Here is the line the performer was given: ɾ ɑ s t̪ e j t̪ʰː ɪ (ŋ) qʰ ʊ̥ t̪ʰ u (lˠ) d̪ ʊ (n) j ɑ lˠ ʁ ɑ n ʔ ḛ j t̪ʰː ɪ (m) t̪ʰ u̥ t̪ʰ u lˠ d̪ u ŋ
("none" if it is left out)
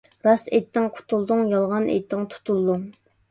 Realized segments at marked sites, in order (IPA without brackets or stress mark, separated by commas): ŋ, lˠ, ŋ, ŋ